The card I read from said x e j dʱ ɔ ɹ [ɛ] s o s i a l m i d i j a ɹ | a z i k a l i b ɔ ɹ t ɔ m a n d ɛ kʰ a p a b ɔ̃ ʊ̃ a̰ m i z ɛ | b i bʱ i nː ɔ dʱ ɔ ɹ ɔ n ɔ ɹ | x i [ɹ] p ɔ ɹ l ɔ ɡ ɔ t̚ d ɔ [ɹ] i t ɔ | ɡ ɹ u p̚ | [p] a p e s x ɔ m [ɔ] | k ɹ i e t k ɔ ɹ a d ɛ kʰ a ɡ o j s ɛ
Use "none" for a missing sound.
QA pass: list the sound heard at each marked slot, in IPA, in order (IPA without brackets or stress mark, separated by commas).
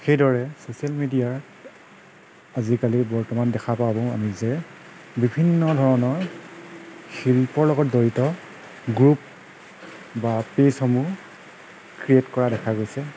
ɛ, l, ɹ, b, u